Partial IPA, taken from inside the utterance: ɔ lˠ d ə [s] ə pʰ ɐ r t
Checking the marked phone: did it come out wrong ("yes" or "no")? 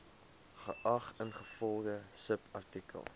no